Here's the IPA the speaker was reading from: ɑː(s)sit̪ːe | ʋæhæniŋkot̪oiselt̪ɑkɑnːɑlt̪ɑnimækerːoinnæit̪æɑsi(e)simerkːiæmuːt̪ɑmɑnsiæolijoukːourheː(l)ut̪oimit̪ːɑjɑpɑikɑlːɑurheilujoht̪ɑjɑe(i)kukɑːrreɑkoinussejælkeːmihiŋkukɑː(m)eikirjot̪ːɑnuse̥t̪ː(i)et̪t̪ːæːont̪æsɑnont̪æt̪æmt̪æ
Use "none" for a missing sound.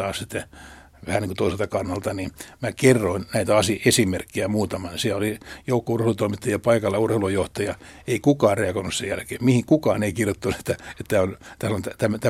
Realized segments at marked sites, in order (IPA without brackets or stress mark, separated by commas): s, e, l, i, n, æ